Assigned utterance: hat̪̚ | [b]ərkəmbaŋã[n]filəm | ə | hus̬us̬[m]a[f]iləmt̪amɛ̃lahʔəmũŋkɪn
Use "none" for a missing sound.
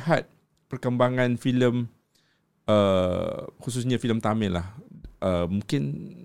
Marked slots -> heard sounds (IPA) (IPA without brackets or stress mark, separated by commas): p, n, ɲ, f